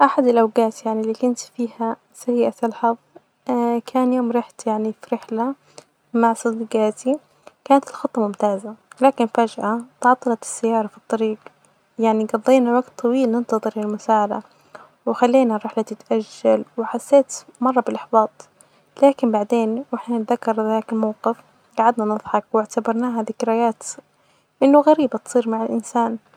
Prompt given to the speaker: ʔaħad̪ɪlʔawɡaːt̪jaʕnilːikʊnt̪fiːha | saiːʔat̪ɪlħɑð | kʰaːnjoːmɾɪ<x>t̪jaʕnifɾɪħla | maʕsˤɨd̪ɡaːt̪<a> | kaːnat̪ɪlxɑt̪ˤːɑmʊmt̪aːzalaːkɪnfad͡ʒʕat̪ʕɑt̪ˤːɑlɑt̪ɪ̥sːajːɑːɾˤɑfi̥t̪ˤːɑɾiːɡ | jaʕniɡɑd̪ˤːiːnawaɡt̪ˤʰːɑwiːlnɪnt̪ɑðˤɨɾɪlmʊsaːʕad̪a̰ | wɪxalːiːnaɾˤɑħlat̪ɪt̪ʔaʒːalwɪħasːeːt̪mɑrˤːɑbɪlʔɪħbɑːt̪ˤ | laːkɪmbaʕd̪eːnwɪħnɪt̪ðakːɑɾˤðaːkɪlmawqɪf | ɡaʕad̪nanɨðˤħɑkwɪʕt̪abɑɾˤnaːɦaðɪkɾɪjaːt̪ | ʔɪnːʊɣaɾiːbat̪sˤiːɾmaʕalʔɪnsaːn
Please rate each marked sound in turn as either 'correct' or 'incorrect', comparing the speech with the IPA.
incorrect: ħ, incorrect: i

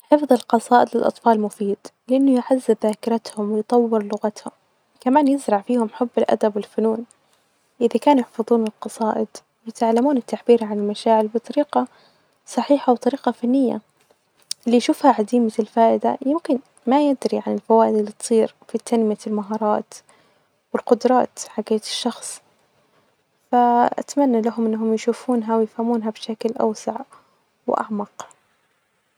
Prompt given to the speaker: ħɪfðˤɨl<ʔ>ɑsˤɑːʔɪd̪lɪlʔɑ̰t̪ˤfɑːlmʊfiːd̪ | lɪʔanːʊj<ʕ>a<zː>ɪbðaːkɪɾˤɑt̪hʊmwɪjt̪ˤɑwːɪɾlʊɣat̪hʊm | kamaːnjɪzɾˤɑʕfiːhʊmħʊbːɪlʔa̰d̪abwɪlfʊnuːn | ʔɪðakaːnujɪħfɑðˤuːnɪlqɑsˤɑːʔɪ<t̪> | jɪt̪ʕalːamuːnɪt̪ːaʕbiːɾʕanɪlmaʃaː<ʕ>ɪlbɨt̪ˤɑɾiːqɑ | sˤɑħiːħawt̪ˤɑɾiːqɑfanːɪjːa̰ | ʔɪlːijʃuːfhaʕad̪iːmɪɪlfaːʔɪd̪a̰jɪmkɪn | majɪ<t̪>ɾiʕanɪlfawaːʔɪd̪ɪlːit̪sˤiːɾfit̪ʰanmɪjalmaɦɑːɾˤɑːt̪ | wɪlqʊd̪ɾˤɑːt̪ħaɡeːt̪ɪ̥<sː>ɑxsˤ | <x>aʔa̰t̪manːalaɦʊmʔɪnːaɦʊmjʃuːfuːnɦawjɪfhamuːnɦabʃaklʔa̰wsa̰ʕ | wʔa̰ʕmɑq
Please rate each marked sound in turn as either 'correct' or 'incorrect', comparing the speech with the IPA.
incorrect: q, correct, correct, incorrect: d̪, correct, incorrect: d̪, incorrect: ʃː, incorrect: f

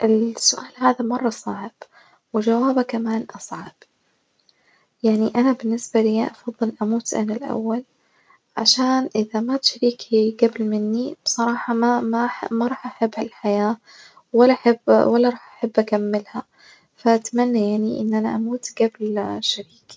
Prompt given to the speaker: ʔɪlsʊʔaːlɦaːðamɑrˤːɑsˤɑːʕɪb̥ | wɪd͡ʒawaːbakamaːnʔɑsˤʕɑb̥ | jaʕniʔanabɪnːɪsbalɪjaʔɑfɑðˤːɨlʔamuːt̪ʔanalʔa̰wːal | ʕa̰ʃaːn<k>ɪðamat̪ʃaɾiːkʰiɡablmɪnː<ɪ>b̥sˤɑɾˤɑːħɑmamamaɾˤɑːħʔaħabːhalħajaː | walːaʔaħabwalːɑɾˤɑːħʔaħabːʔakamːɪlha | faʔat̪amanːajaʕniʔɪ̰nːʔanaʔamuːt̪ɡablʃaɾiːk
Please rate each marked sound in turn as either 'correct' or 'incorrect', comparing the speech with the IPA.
incorrect: ʔ, incorrect: i

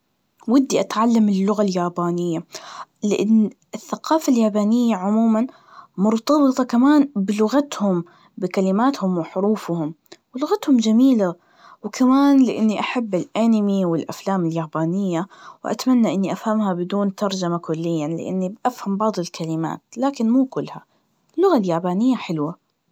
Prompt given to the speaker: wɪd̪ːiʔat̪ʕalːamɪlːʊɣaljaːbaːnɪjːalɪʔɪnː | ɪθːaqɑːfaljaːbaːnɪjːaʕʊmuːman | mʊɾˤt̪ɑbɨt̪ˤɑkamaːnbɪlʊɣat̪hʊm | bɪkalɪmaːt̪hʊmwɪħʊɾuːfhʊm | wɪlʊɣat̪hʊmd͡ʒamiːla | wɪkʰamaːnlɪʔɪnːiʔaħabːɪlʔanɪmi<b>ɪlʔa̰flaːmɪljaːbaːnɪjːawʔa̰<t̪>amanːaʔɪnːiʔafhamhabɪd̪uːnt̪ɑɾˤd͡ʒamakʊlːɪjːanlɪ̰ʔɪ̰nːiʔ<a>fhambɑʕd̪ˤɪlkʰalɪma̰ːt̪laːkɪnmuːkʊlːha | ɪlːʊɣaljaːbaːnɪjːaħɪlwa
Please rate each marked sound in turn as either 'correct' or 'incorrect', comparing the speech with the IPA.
incorrect: w, correct, correct

